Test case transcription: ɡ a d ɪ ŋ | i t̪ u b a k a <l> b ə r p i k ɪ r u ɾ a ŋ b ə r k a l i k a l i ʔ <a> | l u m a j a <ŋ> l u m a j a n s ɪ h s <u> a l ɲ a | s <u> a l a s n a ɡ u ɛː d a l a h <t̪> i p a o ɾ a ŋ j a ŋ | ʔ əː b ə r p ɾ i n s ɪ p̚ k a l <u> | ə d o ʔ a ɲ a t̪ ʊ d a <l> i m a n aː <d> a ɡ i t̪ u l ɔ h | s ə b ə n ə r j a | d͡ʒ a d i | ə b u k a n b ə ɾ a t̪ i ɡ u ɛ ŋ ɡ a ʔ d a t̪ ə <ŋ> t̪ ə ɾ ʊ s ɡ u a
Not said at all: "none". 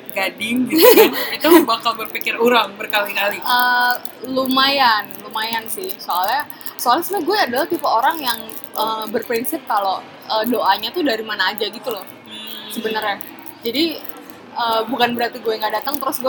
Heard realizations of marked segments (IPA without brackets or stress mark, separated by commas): l, ə, n, o, o, t̪, o, ɾ, d͡ʒ, ŋ